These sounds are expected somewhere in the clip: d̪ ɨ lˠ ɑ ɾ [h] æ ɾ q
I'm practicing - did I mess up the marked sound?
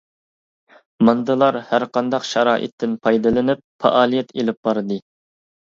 no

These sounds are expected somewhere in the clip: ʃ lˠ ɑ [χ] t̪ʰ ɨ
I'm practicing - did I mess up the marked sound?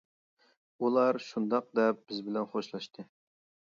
yes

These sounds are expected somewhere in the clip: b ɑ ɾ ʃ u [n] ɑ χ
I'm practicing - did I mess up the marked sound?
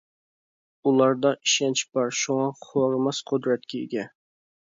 yes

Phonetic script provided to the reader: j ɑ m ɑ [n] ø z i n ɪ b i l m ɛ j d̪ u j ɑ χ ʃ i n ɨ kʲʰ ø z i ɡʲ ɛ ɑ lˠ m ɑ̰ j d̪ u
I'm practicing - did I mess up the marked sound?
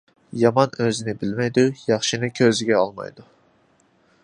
no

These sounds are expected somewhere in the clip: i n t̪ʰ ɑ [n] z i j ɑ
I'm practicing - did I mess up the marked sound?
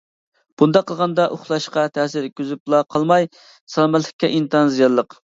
no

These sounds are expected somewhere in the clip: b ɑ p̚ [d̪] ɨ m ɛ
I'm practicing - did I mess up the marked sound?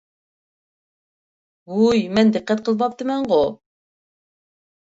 yes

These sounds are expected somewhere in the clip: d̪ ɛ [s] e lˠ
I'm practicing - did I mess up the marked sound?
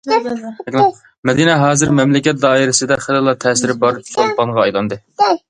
yes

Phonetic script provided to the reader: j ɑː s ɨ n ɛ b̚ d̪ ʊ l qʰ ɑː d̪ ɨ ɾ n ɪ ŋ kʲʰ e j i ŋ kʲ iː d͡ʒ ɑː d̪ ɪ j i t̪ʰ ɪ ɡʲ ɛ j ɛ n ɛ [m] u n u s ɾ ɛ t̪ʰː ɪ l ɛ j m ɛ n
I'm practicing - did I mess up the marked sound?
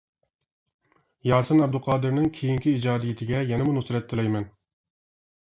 no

